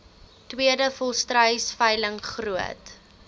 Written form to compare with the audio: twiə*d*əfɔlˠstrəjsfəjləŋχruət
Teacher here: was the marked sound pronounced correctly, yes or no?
yes